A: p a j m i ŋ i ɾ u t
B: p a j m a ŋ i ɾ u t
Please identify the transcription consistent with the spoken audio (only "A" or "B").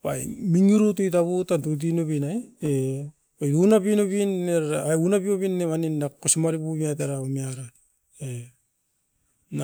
A